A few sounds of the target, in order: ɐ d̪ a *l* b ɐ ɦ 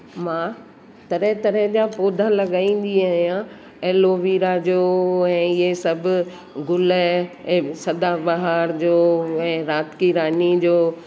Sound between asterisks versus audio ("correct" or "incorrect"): incorrect